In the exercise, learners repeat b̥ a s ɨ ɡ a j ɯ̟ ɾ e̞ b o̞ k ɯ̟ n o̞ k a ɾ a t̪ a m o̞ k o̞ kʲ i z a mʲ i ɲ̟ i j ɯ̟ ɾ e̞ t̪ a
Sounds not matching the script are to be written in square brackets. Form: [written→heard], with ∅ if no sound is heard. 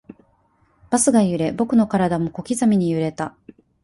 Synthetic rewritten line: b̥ a s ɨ ɡ a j ɯ̟ ɾ e̞ b o̞ k ɯ̟ n o̞ k a ɾ a [t̪→d̪] a m o̞ k o̞ kʲ i z a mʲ i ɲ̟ i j ɯ̟ ɾ e̞ t̪ a